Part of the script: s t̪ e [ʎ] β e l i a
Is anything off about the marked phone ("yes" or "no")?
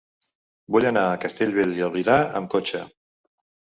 no